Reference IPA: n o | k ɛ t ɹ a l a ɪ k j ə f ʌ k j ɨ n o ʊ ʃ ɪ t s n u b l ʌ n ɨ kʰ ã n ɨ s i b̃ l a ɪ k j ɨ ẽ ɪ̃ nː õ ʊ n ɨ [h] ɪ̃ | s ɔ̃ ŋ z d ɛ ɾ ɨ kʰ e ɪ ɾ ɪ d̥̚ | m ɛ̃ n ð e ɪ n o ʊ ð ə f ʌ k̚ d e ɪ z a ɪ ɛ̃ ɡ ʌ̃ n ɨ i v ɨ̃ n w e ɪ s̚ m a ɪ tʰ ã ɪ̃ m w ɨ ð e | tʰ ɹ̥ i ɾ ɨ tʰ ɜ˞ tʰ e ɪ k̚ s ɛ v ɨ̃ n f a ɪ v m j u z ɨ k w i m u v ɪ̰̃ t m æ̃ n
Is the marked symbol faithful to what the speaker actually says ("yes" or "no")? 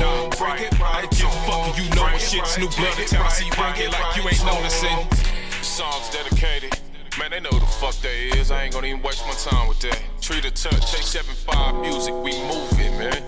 no